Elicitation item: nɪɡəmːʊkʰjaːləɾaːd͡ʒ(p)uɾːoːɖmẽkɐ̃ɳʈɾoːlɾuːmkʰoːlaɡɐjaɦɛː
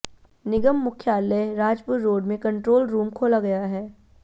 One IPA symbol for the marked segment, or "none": p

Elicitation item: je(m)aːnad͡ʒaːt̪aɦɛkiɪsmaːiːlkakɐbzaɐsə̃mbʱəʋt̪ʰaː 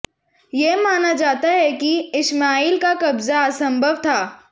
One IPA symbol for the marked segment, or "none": m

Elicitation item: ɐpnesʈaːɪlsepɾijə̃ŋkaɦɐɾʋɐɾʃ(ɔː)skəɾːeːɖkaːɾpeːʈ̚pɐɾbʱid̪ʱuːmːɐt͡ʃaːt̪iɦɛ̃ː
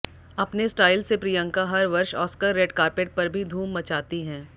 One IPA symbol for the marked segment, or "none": ɔː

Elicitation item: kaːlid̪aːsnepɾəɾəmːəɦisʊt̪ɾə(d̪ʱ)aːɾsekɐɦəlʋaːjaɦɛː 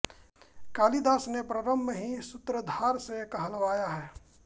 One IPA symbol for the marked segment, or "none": d̪ʱ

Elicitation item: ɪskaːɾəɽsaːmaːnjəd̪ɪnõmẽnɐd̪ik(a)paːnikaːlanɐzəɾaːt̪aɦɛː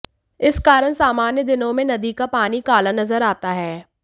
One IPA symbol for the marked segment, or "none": a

